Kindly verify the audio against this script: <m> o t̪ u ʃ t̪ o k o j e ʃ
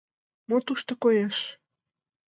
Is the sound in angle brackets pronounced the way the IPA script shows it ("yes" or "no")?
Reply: yes